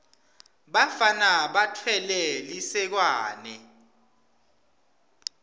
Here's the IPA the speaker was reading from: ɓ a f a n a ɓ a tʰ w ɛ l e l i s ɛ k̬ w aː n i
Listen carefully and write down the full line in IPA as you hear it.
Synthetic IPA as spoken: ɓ a f a n a ɓ a tʰ w ɛ l ɛ l i s ɛ k̬ w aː n ɛ